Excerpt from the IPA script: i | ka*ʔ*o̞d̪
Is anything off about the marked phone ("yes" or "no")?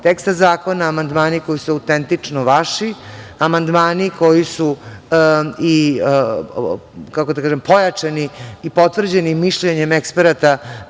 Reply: yes